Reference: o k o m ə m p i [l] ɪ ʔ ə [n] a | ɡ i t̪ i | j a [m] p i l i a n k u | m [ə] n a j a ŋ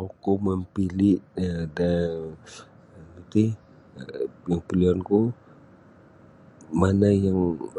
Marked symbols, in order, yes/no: yes, no, no, no

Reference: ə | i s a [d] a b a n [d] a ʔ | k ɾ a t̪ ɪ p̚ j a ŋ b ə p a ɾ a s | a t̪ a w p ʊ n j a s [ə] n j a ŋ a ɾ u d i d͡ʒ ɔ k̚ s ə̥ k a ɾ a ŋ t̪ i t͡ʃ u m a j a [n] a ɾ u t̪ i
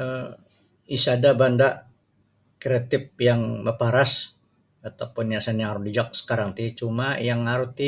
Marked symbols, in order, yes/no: yes, yes, no, no

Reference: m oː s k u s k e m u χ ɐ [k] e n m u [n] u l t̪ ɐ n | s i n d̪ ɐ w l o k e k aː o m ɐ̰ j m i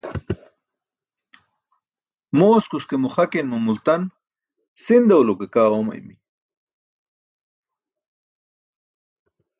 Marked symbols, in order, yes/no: yes, no

